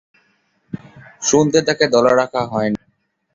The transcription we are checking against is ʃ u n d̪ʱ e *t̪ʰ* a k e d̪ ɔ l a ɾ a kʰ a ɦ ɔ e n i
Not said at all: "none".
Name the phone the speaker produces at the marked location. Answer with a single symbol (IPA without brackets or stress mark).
t̪